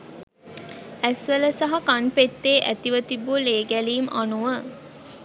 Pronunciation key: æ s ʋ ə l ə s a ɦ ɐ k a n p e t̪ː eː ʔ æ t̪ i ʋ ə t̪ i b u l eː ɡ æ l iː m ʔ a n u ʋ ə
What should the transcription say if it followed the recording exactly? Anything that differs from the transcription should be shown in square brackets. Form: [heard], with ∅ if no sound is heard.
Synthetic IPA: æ s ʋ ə l ə s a ɦ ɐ k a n p e t̪ː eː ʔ æ t̪ i ʋ ə t̪ i b u l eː ɡ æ l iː m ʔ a n u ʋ ə